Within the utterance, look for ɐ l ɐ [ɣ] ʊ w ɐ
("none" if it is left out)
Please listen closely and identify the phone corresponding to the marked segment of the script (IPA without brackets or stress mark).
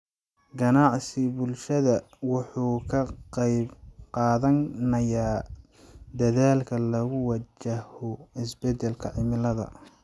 ɣ